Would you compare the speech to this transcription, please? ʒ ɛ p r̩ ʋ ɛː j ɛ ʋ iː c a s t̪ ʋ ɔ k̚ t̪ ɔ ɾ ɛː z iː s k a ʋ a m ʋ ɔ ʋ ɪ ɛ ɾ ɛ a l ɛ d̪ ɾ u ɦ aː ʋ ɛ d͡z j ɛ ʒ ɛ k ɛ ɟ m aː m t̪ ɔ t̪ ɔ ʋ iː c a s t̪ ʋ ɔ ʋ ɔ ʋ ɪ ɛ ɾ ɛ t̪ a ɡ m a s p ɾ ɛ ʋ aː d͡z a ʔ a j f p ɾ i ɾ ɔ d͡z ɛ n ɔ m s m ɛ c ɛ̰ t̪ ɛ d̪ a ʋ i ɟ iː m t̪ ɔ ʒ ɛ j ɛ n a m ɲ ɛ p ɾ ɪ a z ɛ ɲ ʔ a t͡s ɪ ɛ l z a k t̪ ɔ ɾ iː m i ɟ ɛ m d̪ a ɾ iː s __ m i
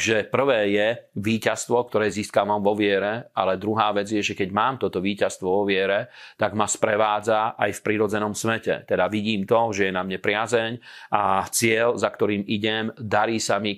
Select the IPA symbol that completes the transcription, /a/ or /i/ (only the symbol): a